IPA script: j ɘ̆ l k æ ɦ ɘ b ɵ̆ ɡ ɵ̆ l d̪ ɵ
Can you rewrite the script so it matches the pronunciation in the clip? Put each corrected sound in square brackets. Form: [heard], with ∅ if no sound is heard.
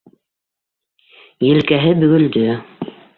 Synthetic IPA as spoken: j ɘ̆ l k æ ɦ ɘ b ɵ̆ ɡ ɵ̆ l d̪ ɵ